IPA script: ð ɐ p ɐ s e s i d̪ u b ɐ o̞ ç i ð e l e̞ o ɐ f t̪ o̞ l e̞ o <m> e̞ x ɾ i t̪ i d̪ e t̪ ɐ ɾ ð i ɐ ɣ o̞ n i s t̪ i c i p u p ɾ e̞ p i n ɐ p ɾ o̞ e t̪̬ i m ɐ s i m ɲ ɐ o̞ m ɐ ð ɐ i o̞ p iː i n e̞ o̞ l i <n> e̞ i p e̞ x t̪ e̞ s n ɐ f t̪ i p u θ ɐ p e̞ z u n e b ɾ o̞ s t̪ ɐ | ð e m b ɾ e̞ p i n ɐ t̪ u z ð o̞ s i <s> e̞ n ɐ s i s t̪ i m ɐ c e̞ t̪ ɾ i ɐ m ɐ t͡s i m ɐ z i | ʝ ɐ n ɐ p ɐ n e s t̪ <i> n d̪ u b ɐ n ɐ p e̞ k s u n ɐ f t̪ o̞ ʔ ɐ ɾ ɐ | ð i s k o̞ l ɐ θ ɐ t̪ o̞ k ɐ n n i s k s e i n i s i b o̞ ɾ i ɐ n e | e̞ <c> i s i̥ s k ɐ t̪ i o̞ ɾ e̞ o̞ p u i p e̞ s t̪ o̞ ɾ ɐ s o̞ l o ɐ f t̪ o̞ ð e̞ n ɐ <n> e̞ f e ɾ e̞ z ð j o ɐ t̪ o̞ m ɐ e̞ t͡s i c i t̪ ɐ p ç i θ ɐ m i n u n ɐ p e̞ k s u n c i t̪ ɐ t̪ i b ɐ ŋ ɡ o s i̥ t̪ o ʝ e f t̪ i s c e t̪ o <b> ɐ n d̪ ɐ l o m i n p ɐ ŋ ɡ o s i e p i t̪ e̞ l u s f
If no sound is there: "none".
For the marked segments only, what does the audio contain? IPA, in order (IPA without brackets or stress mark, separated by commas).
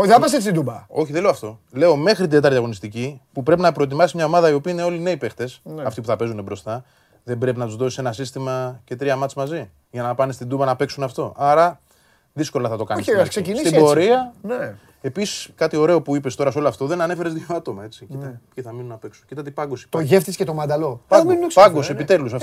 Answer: m, n, s, i, p, n, m